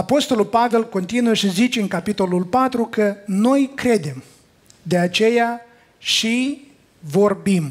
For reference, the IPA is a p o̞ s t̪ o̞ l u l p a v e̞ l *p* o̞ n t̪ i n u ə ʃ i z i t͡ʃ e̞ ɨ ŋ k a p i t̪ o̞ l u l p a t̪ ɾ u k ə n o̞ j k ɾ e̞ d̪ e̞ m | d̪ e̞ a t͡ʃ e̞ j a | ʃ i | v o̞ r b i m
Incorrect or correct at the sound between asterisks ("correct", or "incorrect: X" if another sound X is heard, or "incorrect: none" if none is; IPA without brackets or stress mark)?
incorrect: k